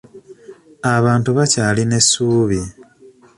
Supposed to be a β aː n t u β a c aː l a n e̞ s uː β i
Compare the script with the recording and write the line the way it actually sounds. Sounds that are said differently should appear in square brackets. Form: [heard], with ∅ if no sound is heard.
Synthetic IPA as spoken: a β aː n t u β a c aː l [i] n e̞ s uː β i

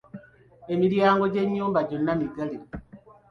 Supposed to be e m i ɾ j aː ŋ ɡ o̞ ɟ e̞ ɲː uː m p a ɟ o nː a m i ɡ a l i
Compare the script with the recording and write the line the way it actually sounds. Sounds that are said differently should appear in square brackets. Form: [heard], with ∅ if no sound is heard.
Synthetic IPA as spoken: e m i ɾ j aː ŋ ɡ o̞ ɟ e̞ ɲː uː m [b] a ɟ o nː a m i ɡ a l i

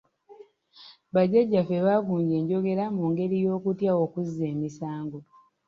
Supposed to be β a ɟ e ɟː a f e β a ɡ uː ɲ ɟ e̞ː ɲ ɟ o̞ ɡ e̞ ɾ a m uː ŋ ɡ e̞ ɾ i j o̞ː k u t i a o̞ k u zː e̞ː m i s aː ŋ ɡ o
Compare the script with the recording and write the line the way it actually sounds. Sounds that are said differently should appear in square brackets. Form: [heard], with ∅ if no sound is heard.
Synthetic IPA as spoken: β a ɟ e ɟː a f e β a ɡ uː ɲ ɟ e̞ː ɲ ɟ o̞ ɡ e̞ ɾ a m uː ŋ ɡ e̞ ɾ i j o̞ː k u t [j] a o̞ k u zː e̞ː m i s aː ŋ ɡ o

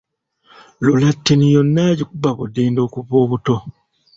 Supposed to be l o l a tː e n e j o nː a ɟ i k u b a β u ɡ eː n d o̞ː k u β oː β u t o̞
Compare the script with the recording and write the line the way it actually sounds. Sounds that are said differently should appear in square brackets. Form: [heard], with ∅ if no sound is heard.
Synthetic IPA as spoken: l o l a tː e n [i] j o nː a ɟ i k u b a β u [d] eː n d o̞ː k u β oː β u t o̞

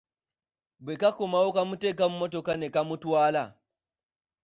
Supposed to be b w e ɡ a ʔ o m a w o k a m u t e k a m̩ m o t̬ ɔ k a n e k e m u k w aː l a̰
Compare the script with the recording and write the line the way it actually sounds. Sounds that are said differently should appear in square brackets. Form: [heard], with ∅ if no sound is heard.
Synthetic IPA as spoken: b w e [k] a [k] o m a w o k a m u t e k a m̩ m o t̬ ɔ k a n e k [a] m u [t] w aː l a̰

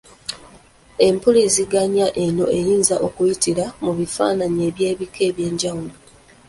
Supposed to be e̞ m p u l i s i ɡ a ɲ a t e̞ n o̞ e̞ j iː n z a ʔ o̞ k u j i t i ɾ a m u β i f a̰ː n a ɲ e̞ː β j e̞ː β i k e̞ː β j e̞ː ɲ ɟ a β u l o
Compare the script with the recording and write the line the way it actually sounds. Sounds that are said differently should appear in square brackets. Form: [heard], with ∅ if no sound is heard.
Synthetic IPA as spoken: e̞ m p u l i [z] i ɡ a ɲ a [ʔ] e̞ n o̞ e̞ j iː n z a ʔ o̞ k u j i t i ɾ a m u β i f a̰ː n a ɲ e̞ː β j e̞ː β i k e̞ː β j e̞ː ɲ ɟ a [w] u l o

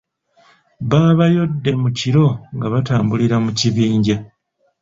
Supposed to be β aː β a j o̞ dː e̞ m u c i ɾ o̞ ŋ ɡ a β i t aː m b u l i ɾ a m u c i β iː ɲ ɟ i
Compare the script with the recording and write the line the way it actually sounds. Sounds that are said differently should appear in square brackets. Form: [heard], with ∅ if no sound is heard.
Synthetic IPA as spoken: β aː β a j o̞ dː e̞ m u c i ɾ o̞ ŋ ɡ a β [a] t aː m b u l i ɾ a m u c i β iː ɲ ɟ [a]

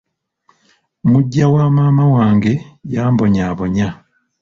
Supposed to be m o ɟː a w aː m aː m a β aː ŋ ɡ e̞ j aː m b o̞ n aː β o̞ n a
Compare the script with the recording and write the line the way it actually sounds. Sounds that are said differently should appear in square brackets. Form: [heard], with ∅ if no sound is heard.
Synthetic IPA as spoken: m [u] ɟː a w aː m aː m a [w] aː ŋ ɡ e̞ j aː m b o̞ [ɲ] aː β o̞ [ɲ] a

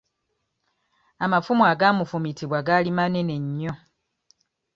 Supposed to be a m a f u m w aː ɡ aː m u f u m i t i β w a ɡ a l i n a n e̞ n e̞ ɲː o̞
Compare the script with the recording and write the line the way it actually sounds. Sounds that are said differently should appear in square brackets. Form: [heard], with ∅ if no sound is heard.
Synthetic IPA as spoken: a m a f u m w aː ɡ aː m u f u m i t i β w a ɡ a l i [m] a n e̞ n e̞ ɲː o̞

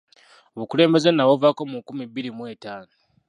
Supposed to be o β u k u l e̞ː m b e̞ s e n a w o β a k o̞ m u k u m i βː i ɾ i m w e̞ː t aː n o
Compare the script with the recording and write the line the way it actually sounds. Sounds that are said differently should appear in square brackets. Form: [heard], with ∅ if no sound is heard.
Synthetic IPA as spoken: o β u k u l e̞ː m b e̞ [z] e n a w o [v] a k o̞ m u k u m i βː i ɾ i m w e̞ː t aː n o

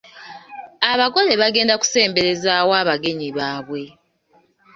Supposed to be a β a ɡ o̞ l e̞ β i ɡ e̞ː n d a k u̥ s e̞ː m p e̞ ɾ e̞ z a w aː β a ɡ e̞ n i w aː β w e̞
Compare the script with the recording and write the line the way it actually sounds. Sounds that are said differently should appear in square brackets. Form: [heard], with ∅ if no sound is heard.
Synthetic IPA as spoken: a β a ɡ o̞ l e̞ β [a] ɡ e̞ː n d a k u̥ s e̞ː m [b] e̞ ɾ e̞ z a w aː β a ɡ e̞ [ɲ] i [β] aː β w e̞

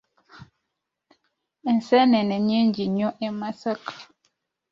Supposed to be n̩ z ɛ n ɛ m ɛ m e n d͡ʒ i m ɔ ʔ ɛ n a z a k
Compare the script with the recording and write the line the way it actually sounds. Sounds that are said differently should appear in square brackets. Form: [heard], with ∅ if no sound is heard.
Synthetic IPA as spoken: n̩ [s] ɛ n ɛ [n] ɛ [ɲ] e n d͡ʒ i [ɲ] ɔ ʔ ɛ [m] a [s] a k

